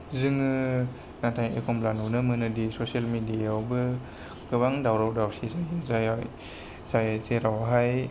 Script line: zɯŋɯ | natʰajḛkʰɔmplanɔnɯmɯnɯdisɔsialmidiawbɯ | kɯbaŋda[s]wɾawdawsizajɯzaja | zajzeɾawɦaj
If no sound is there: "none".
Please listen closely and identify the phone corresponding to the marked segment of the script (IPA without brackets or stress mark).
none